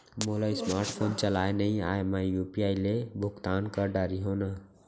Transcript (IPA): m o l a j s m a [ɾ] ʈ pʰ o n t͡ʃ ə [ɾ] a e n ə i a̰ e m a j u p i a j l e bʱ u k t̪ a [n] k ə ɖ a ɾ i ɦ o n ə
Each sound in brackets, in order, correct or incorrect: correct, incorrect, correct

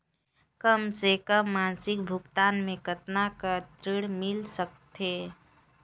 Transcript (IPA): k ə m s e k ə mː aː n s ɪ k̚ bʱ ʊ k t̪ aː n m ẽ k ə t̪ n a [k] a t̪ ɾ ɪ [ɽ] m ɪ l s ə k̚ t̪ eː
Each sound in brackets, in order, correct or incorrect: correct, correct

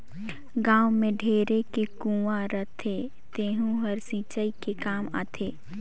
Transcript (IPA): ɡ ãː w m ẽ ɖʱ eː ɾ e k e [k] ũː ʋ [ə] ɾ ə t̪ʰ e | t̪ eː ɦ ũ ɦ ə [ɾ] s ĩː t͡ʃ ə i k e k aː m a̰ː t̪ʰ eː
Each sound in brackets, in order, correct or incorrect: correct, incorrect, correct

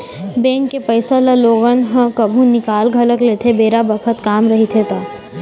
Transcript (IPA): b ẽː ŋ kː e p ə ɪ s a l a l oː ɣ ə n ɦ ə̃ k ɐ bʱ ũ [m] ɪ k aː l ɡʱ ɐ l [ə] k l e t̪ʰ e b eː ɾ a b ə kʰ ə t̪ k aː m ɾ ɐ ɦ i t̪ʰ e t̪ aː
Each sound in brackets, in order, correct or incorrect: incorrect, correct

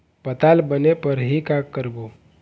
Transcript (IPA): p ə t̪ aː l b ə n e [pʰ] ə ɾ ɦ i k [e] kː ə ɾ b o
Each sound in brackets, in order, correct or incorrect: incorrect, incorrect

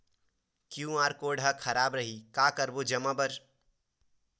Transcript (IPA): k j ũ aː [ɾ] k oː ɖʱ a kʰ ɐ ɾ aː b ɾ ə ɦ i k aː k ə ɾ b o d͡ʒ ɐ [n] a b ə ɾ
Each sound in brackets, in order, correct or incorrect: correct, incorrect

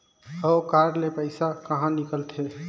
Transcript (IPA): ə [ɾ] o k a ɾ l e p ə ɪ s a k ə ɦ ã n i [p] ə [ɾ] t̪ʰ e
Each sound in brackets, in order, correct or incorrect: incorrect, incorrect, incorrect

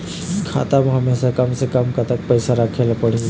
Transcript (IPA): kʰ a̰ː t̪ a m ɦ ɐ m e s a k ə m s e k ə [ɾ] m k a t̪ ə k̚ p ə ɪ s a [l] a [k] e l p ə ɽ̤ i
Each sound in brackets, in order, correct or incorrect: incorrect, incorrect, incorrect

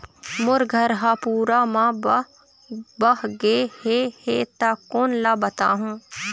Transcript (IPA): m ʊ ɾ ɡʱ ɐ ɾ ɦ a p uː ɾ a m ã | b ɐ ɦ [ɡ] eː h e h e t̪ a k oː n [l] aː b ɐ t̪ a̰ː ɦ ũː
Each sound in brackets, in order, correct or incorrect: correct, correct

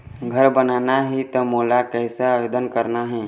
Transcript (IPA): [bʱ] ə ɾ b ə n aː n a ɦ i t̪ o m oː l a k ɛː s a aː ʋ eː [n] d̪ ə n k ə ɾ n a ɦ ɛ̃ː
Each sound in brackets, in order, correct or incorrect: incorrect, incorrect

